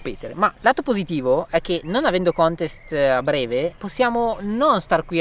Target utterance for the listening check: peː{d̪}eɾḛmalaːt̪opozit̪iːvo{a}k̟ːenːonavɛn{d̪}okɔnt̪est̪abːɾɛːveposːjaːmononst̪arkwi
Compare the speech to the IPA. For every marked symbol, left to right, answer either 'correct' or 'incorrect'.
incorrect, incorrect, correct

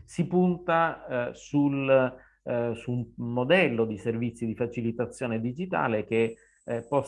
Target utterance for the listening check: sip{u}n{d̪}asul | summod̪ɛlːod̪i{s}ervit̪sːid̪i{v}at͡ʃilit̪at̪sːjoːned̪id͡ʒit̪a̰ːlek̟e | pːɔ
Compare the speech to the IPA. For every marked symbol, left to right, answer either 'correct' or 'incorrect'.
correct, incorrect, correct, incorrect

